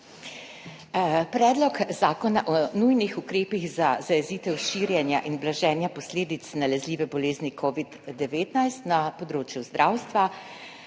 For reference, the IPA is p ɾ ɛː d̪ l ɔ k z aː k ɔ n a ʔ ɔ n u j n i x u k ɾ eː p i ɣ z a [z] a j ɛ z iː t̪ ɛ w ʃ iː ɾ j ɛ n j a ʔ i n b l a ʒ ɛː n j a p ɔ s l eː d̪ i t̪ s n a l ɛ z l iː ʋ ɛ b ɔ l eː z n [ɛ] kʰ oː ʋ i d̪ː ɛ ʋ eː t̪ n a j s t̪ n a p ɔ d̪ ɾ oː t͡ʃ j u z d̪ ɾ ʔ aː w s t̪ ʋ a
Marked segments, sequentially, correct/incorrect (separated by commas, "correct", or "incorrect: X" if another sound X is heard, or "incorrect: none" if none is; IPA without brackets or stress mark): correct, incorrect: i